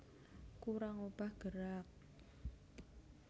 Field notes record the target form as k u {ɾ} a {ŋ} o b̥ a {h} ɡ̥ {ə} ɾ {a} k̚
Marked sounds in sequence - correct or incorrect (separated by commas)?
correct, correct, correct, correct, correct